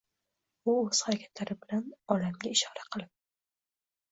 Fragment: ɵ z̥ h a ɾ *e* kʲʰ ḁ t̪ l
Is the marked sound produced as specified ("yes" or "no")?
no